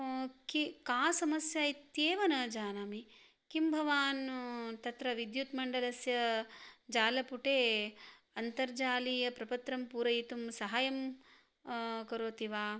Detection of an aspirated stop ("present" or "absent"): absent